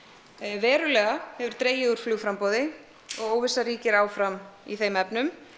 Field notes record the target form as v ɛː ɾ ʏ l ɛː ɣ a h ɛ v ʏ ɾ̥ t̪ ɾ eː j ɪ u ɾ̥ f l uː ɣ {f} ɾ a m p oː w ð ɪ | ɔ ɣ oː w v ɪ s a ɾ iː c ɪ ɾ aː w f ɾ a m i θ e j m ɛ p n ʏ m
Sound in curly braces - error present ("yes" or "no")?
no